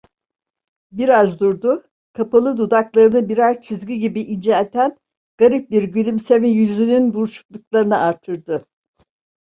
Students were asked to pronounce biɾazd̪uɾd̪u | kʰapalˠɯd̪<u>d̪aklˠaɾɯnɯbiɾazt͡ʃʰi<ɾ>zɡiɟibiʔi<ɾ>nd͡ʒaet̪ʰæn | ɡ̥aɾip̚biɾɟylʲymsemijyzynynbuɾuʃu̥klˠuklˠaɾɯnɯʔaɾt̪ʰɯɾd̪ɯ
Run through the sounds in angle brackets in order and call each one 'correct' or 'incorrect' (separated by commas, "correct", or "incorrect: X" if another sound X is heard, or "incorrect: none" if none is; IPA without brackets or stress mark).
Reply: correct, incorrect: none, incorrect: none